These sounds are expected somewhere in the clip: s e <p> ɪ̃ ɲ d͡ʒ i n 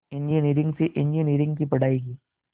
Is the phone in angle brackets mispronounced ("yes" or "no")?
yes